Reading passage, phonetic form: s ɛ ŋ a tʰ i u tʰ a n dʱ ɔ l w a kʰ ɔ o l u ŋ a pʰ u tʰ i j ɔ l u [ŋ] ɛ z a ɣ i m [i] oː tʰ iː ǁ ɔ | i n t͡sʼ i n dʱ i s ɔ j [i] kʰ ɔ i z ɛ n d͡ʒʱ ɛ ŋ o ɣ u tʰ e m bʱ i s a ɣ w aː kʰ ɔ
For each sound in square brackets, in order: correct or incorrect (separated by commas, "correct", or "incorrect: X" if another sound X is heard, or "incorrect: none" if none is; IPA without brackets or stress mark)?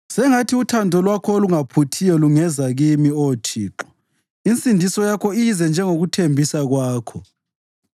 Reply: correct, correct, incorrect: a